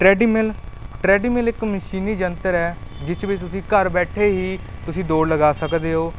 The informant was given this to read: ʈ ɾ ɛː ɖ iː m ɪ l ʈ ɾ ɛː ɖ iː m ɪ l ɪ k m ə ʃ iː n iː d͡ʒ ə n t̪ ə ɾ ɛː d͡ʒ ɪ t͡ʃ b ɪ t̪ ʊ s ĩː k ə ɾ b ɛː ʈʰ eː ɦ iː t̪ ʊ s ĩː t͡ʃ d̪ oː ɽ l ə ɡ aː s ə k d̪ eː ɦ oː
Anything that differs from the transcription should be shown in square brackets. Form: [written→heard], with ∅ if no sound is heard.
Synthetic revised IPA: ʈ ɾ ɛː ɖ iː m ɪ l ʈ ɾ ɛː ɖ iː m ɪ l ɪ k m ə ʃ iː n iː d͡ʒ ə n t̪ ə ɾ ɛː d͡ʒ ɪ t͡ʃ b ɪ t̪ ʊ s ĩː k ə ɾ b ɛː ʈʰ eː ɦ iː t̪ ʊ s ĩː [t͡ʃ→∅] d̪ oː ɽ l ə ɡ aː s ə k d̪ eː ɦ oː